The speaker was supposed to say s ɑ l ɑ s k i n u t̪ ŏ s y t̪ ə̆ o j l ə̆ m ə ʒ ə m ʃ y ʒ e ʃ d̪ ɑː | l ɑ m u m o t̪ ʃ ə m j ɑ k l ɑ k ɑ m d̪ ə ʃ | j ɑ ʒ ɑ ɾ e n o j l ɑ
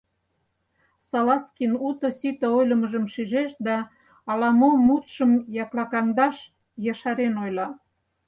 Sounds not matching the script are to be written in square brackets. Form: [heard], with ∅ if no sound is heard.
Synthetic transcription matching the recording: s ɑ l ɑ s k i n u t̪ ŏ s [i] t̪ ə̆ o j l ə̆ m ə ʒ ə m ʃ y ʒ e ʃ d̪ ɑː | l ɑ m [o] m [u] t̪ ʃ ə m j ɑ k l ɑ k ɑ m d̪ [ɑ] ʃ | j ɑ [ʃ] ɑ ɾ e n o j l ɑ